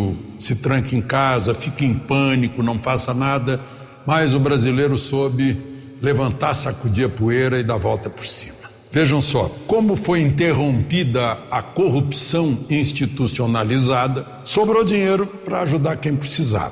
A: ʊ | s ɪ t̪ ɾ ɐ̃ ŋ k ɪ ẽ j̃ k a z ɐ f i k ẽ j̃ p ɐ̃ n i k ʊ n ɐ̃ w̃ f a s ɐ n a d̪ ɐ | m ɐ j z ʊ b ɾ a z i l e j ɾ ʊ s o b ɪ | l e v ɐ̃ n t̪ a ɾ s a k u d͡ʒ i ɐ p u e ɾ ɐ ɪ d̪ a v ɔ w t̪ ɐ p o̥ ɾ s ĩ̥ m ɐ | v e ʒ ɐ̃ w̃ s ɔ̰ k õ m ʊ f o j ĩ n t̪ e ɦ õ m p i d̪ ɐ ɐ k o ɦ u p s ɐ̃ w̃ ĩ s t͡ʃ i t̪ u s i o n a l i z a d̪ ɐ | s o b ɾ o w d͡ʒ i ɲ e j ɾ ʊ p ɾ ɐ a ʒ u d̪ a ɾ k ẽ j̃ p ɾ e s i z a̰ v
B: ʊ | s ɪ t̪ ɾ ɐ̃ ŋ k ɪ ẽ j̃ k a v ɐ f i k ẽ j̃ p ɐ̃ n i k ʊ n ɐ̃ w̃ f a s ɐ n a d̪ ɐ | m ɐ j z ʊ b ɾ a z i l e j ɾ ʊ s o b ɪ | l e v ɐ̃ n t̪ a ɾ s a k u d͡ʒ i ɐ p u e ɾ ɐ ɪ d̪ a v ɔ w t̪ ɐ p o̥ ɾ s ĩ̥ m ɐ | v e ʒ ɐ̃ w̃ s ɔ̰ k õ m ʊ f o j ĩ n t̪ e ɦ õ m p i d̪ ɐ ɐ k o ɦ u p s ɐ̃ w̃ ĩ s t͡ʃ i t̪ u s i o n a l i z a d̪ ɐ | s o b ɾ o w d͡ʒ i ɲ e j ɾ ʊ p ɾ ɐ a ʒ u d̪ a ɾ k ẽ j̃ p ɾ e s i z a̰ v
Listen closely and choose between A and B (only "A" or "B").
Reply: A